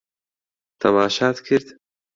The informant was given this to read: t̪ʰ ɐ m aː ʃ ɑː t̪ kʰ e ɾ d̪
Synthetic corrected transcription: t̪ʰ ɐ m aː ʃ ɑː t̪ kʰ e ɾ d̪